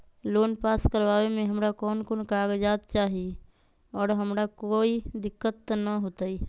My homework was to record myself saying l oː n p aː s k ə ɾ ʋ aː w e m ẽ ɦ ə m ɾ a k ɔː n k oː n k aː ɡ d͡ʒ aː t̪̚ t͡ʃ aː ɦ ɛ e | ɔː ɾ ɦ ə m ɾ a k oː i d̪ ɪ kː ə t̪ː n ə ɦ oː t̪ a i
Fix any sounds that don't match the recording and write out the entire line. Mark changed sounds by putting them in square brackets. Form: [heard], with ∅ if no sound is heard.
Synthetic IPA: l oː n p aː s k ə ɾ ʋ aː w e m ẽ ɦ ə m ɾ a k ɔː n k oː n k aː ɡ d͡ʒ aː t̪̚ t͡ʃ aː ɦ [i] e | ɔː ɾ ɦ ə m ɾ a k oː i d̪ ɪ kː ə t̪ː n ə ɦ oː t̪ a i